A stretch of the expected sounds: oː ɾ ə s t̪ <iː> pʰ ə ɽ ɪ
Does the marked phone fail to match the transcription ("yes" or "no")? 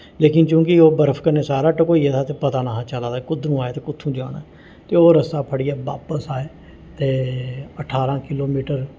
yes